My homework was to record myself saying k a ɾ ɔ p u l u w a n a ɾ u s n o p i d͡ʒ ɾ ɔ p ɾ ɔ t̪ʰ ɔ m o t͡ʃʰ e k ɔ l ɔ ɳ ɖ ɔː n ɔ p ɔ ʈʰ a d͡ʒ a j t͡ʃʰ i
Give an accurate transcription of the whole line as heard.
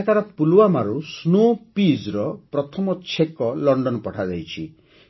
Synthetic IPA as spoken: k a ɾ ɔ p u l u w a m a ɾ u s n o p i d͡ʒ ɾ ɔ p ɾ ɔ t̪ʰ ɔ m ɔ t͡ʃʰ e k ɔ l ɔ ɳ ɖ ɔ n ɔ p ɔ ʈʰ a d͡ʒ a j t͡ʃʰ i